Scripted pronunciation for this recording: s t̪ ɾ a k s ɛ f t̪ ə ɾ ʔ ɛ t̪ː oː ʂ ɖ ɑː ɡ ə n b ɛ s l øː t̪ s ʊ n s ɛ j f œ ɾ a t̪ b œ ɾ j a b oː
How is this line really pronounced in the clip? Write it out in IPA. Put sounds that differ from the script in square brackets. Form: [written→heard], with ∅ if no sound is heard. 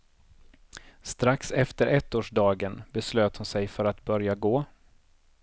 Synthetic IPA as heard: s t̪ ɾ a k s ɛ f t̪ ə ɾ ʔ ɛ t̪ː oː ʂ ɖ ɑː ɡ ə n b ɛ s l øː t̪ [s→h] ʊ n s ɛ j f œ ɾ a t̪ b œ ɾ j a [b→ɡ] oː